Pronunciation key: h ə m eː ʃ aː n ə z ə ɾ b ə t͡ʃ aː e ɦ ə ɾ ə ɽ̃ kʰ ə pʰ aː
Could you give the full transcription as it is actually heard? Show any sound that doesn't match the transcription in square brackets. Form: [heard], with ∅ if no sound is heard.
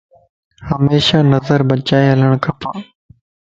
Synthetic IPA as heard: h ə m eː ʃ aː n ə z ə ɾ b ə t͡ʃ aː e ɦ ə [l] ə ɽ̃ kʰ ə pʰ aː